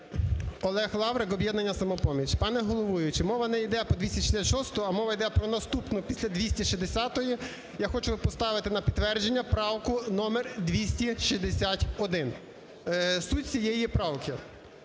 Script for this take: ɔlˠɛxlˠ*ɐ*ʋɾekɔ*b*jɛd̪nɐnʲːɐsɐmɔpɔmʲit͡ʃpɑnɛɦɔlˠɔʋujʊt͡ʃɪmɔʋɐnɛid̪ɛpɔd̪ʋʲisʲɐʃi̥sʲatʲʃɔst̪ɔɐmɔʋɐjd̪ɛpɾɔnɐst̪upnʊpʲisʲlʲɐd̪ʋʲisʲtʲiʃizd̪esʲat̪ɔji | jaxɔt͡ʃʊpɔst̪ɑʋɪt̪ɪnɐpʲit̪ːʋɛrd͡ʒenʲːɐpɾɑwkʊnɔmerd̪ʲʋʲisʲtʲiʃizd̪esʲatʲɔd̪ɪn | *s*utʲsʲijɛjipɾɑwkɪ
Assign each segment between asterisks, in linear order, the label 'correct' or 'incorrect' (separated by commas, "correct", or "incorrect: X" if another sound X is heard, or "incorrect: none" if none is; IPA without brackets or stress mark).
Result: incorrect: ɑ, correct, correct